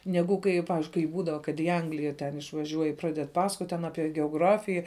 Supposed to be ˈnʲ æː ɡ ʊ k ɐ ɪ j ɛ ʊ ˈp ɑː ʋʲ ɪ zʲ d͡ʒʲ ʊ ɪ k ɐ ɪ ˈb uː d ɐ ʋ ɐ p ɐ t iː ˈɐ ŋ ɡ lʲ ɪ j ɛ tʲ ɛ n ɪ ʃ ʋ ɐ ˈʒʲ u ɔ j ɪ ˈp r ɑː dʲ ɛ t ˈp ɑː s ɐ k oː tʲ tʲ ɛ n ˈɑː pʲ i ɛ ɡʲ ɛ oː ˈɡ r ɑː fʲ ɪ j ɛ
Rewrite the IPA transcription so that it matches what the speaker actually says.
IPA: ˈnʲ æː ɡ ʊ k ɐ ɪ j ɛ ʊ ˈp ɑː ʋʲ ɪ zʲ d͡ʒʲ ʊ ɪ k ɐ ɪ ˈb uː d ɐ ʋ ɐ k ɐ t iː ˈɐ ŋ ɡ lʲ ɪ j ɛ tʲ ɛ n ɪ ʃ ʋ ɐ ˈʒʲ u ɔ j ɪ ˈp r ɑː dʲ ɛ t ˈp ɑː s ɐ k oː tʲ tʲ ɛ n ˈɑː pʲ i ɛ ɡʲ ɛ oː ˈɡ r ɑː fʲ ɪ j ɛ